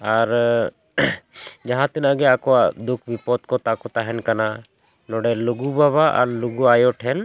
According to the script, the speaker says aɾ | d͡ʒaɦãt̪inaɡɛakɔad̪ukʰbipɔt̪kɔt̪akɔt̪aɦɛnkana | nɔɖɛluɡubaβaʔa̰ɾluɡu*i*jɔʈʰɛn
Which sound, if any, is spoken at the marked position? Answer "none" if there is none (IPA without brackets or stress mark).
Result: a